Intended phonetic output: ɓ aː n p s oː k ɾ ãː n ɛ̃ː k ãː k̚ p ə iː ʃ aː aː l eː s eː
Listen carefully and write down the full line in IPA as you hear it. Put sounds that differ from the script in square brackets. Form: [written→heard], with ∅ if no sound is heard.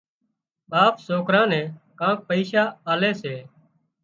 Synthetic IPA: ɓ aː [n→∅] p s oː k ɾ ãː n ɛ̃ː k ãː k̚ p ə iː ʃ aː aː l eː s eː